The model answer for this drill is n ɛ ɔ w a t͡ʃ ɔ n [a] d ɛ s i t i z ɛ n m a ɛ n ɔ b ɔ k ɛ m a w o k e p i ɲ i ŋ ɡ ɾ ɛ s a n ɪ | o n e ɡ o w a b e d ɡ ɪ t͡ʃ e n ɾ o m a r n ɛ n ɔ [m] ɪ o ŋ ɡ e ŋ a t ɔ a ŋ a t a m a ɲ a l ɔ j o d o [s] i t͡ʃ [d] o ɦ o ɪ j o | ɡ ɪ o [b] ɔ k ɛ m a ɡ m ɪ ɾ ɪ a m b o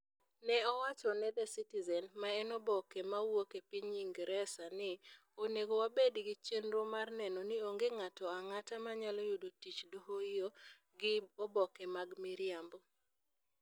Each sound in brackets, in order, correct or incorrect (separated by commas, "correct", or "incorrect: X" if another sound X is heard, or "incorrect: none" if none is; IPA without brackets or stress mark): incorrect: ɛ, incorrect: n, incorrect: t, correct, correct